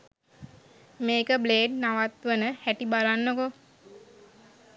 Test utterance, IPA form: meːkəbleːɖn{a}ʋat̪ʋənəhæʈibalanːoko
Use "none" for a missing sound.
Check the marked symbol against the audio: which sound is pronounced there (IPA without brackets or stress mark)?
a